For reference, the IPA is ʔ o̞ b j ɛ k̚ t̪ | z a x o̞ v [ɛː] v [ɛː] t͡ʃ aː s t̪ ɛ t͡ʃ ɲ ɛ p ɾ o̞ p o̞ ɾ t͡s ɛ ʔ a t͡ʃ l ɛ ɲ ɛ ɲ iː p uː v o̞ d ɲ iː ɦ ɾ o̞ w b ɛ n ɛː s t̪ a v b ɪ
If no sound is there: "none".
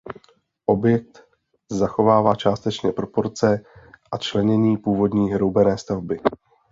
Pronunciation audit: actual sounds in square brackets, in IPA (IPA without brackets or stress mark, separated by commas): aː, aː